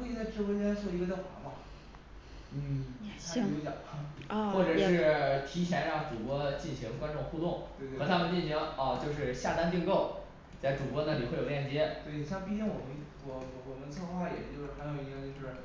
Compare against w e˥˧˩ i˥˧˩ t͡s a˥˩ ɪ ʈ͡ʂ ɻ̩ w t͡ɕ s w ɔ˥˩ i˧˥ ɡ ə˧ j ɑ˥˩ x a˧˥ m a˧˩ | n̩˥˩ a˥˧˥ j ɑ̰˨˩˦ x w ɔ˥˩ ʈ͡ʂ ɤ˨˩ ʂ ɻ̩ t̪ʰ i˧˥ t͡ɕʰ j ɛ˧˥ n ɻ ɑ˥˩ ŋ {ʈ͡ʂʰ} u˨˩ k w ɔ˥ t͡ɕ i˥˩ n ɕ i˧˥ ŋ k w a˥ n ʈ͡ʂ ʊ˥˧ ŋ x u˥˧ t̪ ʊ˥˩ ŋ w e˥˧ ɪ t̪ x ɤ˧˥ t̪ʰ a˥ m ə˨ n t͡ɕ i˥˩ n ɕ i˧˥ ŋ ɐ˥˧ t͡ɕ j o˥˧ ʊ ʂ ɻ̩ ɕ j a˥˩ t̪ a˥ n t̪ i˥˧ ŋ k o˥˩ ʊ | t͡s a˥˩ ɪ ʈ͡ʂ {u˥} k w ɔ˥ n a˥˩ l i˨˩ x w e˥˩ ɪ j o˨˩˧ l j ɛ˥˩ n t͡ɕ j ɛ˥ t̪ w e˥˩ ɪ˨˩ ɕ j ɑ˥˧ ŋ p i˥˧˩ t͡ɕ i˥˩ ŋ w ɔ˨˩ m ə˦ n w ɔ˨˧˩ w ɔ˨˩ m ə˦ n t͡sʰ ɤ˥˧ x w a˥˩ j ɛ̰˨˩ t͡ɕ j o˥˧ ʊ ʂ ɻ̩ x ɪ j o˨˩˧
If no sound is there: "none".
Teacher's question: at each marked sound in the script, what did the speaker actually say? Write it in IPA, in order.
ʈ͡ʂ, u˨˩

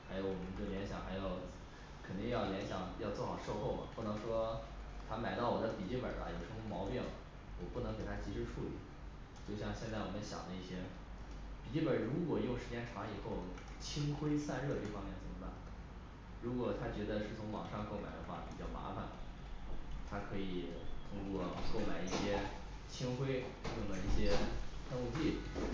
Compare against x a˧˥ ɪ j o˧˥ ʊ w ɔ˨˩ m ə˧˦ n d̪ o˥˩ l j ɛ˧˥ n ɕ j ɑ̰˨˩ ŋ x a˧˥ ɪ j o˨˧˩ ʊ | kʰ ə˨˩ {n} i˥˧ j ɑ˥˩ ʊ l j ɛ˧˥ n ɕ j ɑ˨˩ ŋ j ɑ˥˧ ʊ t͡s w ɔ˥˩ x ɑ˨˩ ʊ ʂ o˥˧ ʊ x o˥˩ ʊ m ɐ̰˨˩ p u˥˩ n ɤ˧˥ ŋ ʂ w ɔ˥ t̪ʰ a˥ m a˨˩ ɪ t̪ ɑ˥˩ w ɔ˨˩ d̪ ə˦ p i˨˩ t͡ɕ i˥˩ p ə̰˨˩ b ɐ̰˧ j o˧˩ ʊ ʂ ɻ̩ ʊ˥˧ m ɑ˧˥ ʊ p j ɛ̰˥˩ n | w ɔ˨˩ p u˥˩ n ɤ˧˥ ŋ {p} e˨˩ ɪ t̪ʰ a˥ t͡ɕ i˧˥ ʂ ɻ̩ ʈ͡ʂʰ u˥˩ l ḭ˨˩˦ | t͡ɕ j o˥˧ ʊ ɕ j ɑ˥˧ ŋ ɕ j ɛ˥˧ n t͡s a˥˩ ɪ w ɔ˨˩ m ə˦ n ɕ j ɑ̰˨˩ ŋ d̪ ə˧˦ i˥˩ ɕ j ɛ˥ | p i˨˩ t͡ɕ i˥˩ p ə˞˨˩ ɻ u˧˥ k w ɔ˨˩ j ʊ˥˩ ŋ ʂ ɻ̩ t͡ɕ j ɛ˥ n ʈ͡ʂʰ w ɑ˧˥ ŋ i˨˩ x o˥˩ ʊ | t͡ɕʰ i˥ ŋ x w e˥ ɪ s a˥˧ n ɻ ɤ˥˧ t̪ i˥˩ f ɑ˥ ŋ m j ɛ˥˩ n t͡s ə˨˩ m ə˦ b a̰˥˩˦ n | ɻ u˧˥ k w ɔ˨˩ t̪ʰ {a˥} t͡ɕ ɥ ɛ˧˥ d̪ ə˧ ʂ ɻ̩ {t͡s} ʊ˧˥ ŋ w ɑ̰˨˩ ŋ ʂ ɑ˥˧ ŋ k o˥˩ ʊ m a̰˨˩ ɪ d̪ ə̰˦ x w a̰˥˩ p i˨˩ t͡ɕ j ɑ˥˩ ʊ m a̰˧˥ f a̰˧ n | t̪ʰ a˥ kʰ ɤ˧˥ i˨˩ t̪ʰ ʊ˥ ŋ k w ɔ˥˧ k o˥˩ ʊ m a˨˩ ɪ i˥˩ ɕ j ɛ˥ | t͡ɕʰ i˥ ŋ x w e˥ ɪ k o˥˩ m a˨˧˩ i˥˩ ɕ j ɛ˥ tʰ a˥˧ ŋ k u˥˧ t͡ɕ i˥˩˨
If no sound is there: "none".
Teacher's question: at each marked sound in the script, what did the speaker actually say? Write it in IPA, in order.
n, k, a˥, t͡sʰ

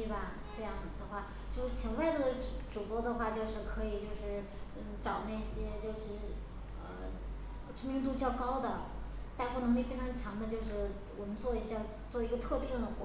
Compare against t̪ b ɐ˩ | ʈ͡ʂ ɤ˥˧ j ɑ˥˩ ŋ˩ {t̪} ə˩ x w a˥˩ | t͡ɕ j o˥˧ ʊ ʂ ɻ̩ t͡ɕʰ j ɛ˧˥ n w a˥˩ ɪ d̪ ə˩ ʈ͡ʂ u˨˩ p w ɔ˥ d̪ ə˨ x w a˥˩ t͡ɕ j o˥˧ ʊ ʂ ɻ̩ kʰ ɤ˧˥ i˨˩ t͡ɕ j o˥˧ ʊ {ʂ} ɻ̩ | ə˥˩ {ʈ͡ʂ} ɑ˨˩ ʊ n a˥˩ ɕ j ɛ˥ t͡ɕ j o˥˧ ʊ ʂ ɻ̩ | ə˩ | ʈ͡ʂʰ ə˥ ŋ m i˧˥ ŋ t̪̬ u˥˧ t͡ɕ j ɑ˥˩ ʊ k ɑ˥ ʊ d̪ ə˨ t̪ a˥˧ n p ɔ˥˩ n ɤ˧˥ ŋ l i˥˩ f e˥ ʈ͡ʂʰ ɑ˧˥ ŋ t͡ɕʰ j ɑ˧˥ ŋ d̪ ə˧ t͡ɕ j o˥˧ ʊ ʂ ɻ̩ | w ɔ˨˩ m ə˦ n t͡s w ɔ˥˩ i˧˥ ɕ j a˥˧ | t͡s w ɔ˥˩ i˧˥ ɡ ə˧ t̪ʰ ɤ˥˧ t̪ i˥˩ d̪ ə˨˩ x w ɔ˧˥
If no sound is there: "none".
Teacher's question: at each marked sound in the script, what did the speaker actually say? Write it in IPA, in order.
d̪, ʂ, ʈ͡ʂ

